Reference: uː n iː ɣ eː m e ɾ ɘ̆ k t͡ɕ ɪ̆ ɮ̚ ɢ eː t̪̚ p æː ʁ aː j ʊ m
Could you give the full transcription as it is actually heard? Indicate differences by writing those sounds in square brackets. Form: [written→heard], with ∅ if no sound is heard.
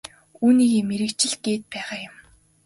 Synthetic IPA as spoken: uː n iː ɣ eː m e ɾ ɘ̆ k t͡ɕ ɪ̆ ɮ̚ [ɢ→ɡ] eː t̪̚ p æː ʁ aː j ʊ m